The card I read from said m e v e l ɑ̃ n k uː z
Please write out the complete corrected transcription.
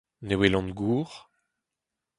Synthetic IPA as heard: n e w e l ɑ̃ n ɡ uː ʁ